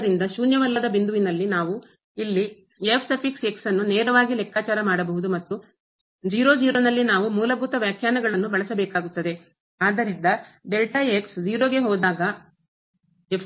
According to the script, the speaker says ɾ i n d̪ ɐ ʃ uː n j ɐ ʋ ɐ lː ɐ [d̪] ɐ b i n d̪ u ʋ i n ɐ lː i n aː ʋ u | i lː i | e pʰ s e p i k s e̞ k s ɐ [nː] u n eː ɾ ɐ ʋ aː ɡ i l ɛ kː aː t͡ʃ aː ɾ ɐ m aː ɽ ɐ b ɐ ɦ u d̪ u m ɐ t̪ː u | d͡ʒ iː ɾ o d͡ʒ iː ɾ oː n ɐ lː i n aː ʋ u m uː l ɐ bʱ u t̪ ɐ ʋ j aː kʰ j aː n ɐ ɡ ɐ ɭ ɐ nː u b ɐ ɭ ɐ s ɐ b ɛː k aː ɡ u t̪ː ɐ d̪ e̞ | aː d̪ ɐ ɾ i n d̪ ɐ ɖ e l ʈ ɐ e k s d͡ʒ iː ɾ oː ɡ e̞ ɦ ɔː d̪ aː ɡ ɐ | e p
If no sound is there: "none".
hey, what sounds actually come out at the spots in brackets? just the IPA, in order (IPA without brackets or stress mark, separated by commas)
d̪, nː